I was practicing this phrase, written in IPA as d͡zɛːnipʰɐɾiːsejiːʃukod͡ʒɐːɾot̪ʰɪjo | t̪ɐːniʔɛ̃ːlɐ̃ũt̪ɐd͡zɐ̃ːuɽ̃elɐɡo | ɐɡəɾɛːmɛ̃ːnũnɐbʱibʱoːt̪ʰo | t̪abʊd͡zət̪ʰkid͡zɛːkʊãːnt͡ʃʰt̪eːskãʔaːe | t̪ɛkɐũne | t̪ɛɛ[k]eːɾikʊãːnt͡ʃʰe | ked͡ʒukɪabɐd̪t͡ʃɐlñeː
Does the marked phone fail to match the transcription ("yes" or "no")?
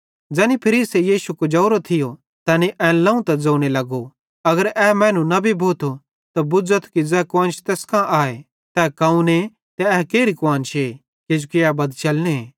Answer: no